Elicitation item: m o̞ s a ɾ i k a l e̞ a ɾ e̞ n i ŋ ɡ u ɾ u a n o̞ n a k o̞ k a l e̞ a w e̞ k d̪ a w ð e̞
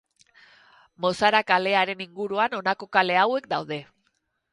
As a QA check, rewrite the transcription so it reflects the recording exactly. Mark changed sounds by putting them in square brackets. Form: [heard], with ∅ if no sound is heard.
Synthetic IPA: m o̞ s a ɾ [a] k a l e̞ a ɾ e̞ n i ŋ ɡ u ɾ u a n o̞ n a k o̞ k a l e̞ a w e̞ k d̪ a w ð e̞

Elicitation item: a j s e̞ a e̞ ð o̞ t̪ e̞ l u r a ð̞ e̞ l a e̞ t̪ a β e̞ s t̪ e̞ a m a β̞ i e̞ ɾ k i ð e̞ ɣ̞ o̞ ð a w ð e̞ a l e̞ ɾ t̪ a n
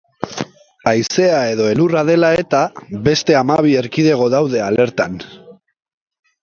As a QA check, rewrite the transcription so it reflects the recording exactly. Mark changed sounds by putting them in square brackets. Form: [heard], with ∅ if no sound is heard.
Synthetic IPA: a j s e̞ a e̞ ð o̞ [∅] e̞ l u r a ð̞ e̞ l a e̞ t̪ a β e̞ s t̪ e̞ a m a β̞ i e̞ ɾ k i ð e̞ ɣ̞ o̞ ð a w ð e̞ a l e̞ ɾ t̪ a n

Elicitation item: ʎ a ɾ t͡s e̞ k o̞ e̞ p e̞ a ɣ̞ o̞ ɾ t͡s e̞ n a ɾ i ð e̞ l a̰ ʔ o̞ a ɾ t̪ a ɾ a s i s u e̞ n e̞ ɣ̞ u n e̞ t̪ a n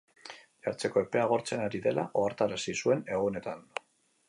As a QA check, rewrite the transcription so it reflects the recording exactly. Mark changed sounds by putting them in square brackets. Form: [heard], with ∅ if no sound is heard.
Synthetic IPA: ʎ a ɾ t͡s e̞ k o̞ e̞ p e̞ a ɣ̞ o̞ ɾ t͡s e̞ n a ɾ i ð e̞ l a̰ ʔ o̞ a ɾ t̪ a ɾ a s i s u e̞ n e̞ ɣ̞ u n e̞ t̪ a n

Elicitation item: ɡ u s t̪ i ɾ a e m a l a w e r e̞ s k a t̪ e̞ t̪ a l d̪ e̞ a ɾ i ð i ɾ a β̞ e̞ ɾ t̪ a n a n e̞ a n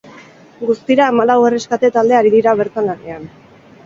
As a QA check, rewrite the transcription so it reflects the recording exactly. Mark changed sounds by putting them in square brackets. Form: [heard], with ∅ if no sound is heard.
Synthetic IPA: ɡ u s t̪ i ɾ a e m a l a w e r e̞ s k a t̪ e̞ t̪ a l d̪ e̞ a ɾ i ð i ɾ a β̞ e̞ ɾ t̪ a n a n e̞ a n

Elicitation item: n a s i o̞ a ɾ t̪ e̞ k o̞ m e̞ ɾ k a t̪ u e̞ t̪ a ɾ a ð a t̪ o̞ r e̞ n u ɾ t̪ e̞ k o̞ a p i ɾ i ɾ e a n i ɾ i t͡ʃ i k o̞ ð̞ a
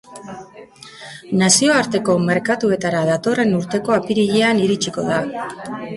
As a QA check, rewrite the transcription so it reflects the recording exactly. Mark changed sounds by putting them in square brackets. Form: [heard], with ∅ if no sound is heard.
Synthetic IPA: n a s i o̞ a ɾ t̪ e̞ k o̞ m e̞ ɾ k a t̪ u e̞ t̪ a ɾ a ð a t̪ o̞ r e̞ n u ɾ t̪ e̞ k o̞ a p i ɾ i [ʎ] e a n i ɾ i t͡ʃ i k o̞ ð̞ a

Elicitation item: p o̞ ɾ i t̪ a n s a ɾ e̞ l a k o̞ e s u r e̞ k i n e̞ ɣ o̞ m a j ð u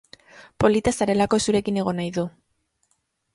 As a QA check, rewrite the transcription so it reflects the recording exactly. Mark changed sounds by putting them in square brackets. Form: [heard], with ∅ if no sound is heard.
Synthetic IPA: p o̞ [l] i t̪ a [∅] s a ɾ e̞ l a k o̞ e s u [ɾ] e̞ k i n e̞ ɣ o̞ [n] a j ð u

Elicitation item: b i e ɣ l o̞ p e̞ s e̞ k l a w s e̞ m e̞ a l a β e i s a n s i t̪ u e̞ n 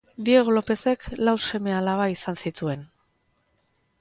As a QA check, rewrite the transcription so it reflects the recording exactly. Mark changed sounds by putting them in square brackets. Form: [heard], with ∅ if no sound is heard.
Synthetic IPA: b i e ɣ l o̞ p e̞ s e̞ k l a w s e̞ m e̞ a l a β [a] i s a n s i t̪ u e̞ n

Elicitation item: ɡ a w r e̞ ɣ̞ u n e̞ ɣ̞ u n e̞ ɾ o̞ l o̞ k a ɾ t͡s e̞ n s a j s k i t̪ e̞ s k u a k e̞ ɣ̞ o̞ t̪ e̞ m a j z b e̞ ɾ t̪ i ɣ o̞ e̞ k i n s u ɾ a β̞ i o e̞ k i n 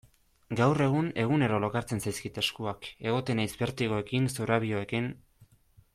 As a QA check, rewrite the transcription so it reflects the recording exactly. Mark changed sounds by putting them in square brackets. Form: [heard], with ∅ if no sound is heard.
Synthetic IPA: ɡ a w r e̞ ɣ̞ u n e̞ ɣ̞ u n e̞ ɾ o̞ l o̞ k a ɾ t͡s e̞ n s a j s k i t̪ e̞ s k u a k e̞ ɣ̞ o̞ t̪ e̞ [n] a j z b e̞ ɾ t̪ i ɣ o̞ e̞ k i n s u ɾ a β̞ i o e̞ k i n

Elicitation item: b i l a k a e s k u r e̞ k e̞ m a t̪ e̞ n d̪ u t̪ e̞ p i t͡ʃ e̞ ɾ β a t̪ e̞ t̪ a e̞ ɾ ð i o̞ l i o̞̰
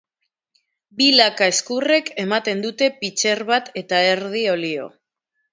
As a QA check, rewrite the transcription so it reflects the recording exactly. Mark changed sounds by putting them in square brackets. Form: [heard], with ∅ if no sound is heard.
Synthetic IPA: b i l a k a e s k u r e̞ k e̞ m a t̪ e̞ n d̪ u t̪ e̞ p i t͡ʃ e̞ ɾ β a t̪ e̞ t̪ a e̞ ɾ ð i o̞ l i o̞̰

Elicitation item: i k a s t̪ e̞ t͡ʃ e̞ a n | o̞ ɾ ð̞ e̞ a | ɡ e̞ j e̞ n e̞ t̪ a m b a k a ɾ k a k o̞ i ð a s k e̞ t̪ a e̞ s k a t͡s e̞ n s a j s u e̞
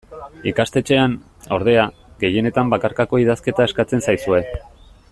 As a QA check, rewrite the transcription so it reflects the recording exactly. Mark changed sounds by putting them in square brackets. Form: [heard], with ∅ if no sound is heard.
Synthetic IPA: i k a s t̪ e̞ t͡ʃ e̞ a n | o̞ ɾ ð̞ e̞ a | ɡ e̞ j e̞ n e̞ t̪ a m b a k a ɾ k a k o̞ i ð a s k e̞ t̪ a e̞ s k a t͡s e̞ n s a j s u e̞

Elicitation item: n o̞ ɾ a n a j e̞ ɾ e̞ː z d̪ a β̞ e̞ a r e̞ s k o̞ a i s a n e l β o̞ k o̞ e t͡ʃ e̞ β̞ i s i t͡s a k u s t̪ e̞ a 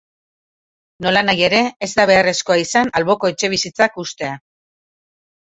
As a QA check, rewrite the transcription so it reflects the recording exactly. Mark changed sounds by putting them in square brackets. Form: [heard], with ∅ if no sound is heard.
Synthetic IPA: n o̞ [l] a n a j e̞ ɾ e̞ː z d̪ a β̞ e̞ a r e̞ s k o̞ a i s a n [a] l β o̞ k o̞ e t͡ʃ e̞ β̞ i s i t͡s a k u s t̪ e̞ a

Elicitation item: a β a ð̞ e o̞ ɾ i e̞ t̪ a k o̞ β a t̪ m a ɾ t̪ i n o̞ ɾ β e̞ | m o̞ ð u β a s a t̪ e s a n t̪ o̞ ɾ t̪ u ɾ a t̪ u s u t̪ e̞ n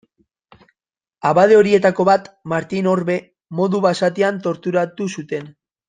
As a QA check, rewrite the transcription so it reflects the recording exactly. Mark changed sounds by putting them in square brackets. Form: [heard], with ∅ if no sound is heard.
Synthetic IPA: a β a ð̞ e o̞ ɾ i e̞ t̪ a k o̞ β a t̪ m a ɾ t̪ i n o̞ ɾ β e̞ | m o̞ ð u β a s a t̪ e [∅] a n t̪ o̞ ɾ t̪ u ɾ a t̪ u s u t̪ e̞ n

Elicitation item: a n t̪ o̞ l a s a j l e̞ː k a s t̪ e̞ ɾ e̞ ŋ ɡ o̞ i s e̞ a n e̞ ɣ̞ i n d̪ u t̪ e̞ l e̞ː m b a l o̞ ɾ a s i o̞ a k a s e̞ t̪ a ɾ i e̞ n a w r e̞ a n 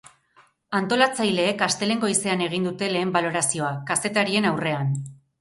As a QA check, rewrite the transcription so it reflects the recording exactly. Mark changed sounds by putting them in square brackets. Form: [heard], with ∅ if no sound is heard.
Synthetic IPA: a n t̪ o̞ l a [t͡s] a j l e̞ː k a s t̪ e̞ [l] e̞ ŋ ɡ o̞ i s e̞ a n e̞ ɣ̞ i n d̪ u t̪ e̞ l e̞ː m b a l o̞ ɾ a s i o̞ a k a s e̞ t̪ a ɾ i e̞ n a w r e̞ a n

